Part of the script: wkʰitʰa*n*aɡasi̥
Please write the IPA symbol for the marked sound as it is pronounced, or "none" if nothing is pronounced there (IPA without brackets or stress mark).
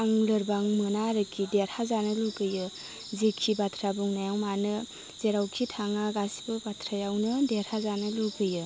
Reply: ŋ